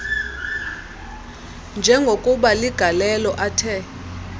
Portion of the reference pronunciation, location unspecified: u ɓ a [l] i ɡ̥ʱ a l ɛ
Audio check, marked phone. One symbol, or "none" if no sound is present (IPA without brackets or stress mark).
l